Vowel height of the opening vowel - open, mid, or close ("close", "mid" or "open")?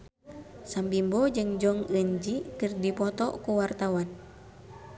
open